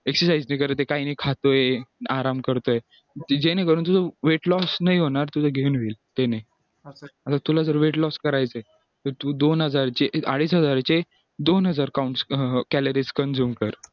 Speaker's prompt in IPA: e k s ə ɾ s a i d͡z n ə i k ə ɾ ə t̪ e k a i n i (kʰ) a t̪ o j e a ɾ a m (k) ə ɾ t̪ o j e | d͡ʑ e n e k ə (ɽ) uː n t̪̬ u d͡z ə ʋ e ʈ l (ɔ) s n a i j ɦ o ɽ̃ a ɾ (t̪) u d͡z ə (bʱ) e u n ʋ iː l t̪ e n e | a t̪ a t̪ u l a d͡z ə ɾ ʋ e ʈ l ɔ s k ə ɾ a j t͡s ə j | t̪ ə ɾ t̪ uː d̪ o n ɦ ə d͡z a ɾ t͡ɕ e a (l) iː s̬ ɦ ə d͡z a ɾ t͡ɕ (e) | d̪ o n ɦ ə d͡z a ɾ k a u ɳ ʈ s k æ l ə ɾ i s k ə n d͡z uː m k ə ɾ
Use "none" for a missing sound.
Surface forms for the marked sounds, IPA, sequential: kʰ, k, ɾ, ɔ, t̪, ɡʱ, ɽ, e

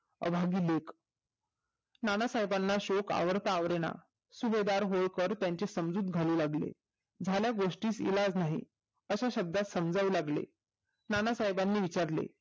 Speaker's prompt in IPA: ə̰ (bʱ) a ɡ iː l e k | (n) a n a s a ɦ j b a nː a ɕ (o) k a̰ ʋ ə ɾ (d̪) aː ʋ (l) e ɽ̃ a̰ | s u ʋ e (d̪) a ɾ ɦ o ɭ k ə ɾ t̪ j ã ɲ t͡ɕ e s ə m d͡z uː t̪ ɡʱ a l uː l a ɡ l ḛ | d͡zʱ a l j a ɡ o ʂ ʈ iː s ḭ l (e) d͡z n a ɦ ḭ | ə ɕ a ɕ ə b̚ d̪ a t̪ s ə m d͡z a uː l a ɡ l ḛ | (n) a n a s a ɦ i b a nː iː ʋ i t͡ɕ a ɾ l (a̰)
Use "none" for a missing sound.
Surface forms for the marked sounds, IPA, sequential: bʱ, n, o, t̪, ɾ, d̪, a, n, ḛ

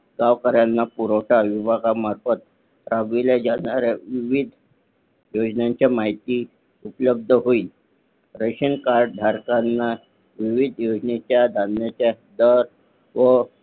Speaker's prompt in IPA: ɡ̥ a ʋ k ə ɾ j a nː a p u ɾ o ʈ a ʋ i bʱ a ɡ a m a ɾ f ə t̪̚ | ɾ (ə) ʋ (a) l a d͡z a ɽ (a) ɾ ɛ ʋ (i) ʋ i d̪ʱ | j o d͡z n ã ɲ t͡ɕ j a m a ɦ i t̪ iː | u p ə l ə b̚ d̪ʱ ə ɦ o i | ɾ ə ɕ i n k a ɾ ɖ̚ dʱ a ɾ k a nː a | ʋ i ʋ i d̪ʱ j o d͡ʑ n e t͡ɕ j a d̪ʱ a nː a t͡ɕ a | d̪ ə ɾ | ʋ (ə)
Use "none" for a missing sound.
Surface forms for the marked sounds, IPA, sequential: a, i, a, i, ə

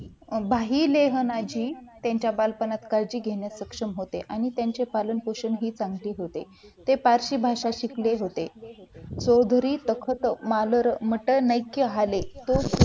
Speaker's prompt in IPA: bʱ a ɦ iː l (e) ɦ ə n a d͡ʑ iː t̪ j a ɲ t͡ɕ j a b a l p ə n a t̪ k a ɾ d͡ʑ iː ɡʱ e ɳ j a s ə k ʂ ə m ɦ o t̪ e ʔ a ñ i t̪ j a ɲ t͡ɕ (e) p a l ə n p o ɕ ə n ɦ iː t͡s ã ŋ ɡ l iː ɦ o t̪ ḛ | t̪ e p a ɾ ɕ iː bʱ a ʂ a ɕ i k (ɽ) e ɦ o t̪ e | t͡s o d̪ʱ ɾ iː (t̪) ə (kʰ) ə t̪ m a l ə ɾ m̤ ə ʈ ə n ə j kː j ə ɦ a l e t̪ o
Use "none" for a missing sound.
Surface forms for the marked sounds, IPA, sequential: e, e, l, t̪, kʰ

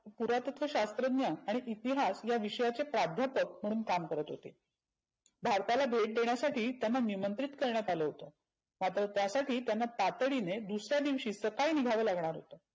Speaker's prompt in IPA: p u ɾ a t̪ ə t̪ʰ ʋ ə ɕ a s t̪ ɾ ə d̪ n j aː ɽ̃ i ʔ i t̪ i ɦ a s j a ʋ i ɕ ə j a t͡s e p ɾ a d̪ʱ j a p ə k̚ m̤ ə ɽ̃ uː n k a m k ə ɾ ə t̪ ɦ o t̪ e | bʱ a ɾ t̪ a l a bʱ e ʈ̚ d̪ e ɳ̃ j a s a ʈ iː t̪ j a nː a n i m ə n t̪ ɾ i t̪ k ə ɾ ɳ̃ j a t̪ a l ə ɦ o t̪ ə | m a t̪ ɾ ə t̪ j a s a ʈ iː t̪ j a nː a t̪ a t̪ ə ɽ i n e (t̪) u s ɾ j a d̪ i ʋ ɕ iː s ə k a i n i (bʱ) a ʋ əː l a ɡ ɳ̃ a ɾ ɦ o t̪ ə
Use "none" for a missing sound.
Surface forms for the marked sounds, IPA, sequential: d̪, ɡʱ

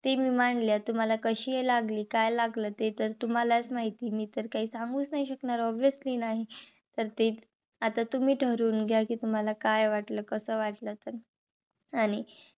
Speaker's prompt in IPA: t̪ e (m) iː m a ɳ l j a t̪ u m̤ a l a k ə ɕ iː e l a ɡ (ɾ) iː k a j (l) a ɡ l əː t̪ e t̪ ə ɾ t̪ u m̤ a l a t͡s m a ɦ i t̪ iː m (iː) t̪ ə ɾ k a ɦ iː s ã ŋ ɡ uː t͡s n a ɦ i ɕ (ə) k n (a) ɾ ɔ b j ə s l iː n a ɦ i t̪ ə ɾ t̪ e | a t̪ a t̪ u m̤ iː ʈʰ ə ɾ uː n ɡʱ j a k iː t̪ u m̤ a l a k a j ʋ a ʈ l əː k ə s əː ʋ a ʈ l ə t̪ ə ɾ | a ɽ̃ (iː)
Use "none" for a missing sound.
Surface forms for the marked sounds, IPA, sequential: m, l, l, iː, ə, a, i

